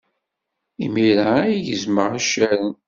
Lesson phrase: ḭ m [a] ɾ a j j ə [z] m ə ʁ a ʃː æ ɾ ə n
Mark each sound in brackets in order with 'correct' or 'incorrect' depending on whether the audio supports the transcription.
incorrect: i, correct

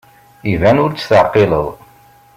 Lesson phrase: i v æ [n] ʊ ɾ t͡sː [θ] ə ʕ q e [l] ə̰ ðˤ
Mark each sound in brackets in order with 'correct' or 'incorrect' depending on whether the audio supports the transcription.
correct, correct, correct

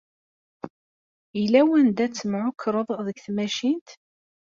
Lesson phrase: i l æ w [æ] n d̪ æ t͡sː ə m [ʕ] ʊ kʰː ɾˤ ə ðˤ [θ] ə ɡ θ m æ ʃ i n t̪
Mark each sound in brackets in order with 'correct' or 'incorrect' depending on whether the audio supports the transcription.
correct, correct, incorrect: ð

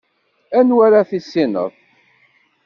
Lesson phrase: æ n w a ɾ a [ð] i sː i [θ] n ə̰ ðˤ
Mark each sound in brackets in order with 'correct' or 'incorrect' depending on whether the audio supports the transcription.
incorrect: θ, incorrect: none

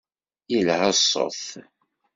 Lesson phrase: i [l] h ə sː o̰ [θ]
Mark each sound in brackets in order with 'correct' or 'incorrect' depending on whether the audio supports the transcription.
correct, correct

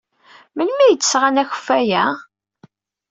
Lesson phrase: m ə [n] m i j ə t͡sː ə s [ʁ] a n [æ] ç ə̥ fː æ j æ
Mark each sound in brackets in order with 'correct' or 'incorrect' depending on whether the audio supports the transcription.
correct, correct, correct

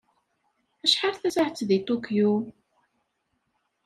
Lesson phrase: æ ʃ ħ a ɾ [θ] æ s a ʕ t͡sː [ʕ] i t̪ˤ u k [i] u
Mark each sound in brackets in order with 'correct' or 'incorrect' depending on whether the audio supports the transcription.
correct, incorrect: ð, incorrect: j

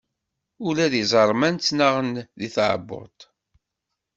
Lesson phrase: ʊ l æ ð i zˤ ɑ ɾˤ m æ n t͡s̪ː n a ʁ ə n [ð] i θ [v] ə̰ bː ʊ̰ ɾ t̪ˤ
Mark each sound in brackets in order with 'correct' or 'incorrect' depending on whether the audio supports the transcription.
correct, incorrect: ʕ

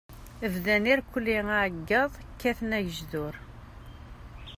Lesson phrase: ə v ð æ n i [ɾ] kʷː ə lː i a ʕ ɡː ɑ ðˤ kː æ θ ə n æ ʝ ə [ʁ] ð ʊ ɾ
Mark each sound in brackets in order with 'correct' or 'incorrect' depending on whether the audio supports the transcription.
correct, incorrect: ʒ

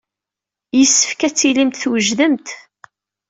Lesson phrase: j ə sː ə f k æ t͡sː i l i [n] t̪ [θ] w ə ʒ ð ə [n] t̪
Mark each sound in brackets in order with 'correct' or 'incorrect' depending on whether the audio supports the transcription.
incorrect: m, correct, incorrect: m

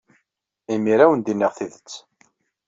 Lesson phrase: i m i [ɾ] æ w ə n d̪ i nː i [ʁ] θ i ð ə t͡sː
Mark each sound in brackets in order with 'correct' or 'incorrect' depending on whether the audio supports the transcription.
correct, correct

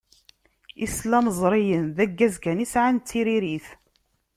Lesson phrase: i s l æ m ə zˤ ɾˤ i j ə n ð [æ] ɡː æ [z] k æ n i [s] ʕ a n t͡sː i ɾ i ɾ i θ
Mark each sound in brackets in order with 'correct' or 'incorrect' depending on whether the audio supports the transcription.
correct, correct, correct

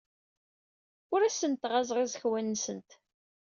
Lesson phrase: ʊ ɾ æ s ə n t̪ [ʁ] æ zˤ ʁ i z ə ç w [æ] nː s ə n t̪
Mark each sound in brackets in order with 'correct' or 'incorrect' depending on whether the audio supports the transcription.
correct, correct

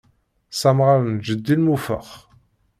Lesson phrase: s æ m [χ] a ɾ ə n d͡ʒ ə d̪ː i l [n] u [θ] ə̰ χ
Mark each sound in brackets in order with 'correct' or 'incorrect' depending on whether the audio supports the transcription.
incorrect: ʁ, incorrect: m, incorrect: f

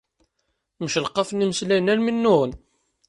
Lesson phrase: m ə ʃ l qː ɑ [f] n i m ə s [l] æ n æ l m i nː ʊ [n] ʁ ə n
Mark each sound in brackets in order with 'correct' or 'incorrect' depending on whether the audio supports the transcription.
correct, correct, incorrect: none

